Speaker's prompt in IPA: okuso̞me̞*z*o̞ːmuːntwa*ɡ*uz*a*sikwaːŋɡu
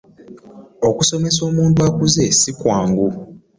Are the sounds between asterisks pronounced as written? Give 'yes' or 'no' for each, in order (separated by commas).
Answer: no, no, no